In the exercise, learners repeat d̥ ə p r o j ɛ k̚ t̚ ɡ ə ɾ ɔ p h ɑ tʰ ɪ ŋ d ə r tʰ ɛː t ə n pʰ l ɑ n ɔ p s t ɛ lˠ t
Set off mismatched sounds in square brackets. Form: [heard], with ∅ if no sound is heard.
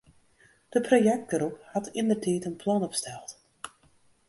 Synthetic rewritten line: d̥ ə p r o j ɛ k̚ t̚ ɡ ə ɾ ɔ p h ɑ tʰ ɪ [n] d ə r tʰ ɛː t ə n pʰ l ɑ n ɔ p s t ɛ lˠ t